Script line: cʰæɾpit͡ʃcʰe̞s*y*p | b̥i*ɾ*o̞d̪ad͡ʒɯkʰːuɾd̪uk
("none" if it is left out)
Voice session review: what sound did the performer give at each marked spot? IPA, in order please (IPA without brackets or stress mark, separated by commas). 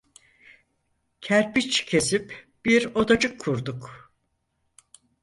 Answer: i, ɾ